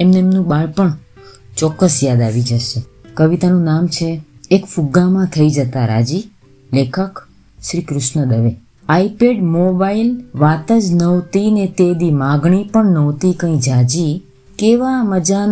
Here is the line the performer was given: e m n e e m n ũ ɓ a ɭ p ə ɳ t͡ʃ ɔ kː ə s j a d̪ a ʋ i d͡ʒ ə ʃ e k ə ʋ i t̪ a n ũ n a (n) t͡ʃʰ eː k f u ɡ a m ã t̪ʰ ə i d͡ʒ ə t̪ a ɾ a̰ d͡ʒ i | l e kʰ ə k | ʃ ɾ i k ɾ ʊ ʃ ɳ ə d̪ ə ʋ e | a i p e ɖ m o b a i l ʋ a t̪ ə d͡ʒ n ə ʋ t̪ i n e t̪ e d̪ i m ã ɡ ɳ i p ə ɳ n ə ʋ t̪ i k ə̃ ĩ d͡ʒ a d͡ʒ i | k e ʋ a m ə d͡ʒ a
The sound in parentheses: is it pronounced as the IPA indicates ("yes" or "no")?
no